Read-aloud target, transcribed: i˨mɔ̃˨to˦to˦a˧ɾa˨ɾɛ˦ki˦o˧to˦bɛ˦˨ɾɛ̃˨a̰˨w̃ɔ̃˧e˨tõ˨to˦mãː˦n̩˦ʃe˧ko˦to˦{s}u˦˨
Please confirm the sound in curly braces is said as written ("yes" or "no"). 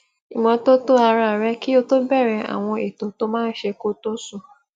yes